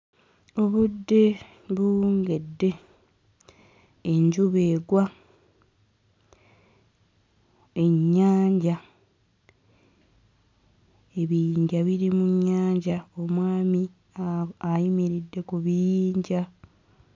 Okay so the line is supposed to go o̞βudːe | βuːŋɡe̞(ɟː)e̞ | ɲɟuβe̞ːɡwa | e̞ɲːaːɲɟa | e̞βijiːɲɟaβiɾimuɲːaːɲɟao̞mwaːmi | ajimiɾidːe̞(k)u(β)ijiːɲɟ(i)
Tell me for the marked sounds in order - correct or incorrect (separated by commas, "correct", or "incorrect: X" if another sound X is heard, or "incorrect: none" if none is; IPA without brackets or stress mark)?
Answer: incorrect: dː, correct, correct, incorrect: a